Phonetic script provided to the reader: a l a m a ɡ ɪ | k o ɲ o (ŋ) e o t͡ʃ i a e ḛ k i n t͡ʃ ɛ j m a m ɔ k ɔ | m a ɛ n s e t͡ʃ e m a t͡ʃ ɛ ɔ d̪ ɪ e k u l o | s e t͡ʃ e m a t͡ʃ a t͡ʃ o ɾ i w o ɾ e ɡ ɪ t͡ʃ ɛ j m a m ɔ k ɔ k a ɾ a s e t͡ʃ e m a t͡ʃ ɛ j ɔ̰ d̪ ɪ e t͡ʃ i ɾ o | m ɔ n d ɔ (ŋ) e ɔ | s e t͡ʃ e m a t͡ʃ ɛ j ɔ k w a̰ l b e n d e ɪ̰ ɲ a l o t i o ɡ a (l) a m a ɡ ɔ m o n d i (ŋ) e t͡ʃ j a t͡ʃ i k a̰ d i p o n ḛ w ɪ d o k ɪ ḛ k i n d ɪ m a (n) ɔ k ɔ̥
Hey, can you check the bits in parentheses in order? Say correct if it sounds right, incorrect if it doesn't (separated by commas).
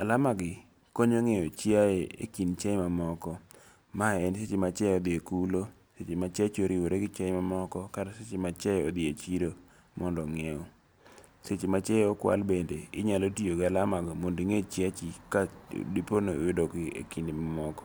correct, correct, correct, correct, incorrect